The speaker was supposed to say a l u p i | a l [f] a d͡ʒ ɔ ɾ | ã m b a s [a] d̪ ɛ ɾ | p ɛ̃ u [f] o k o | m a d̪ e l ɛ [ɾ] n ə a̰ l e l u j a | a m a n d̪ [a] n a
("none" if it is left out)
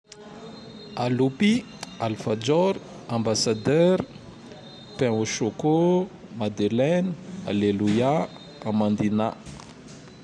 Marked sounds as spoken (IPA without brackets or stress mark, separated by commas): f, a, ʃ, none, i